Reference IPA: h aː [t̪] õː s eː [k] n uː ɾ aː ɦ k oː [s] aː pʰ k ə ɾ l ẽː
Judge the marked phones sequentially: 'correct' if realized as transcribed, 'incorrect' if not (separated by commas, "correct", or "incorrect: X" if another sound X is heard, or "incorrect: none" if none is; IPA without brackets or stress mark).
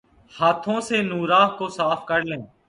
incorrect: t̪ʰ, incorrect: none, correct